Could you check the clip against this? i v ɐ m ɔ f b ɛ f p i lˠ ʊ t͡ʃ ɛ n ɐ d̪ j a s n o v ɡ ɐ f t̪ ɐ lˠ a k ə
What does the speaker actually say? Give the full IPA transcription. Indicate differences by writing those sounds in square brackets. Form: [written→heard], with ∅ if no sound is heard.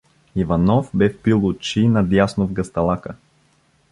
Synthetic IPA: i v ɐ [m→n] ɔ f b ɛ f p i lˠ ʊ t͡ʃ [ɛ→i] n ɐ d̪ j a s n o v ɡ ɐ [f→s] t̪ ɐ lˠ a k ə